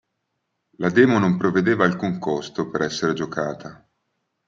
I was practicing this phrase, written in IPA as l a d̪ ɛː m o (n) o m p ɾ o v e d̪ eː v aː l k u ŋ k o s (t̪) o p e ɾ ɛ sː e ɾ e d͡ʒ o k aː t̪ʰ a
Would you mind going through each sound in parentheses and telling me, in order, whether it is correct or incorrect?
correct, correct

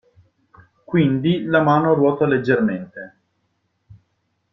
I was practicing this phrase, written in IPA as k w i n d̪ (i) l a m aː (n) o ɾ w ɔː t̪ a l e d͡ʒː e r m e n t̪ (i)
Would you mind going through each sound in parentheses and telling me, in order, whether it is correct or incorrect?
correct, correct, incorrect: e

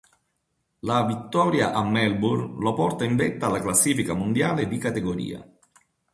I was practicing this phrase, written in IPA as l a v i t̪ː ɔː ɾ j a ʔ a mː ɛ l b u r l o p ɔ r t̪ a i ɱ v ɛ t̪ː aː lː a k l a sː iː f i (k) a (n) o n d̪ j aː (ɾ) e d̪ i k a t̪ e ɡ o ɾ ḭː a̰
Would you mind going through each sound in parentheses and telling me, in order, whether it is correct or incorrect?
correct, incorrect: m, incorrect: l

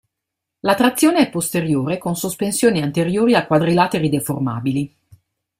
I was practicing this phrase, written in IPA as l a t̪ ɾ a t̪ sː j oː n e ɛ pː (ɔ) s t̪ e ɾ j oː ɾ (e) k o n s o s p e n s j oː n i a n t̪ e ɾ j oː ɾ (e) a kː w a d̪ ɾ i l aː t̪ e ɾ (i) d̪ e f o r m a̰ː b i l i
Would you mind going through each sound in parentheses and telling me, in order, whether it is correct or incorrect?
incorrect: o, correct, incorrect: i, correct

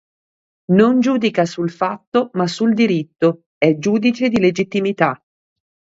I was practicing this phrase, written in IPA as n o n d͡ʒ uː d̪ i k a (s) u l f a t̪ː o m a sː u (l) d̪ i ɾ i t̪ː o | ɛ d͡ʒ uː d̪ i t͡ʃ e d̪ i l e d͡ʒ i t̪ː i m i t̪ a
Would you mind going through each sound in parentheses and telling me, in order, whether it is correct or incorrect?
correct, correct

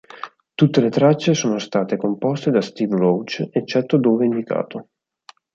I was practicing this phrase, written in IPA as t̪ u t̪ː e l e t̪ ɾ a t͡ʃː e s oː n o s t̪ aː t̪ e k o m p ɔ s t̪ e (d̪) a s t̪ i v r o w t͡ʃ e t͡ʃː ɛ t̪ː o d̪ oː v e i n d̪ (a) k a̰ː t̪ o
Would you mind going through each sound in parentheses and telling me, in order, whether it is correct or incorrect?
correct, incorrect: i

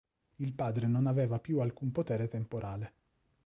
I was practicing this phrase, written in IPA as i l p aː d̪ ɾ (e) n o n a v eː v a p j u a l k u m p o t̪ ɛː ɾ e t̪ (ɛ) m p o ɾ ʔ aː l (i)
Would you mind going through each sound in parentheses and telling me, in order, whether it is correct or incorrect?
correct, incorrect: e, incorrect: e

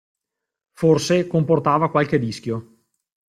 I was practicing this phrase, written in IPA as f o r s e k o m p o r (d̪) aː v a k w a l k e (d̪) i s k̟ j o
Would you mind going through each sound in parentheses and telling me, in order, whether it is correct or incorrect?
incorrect: t̪, correct

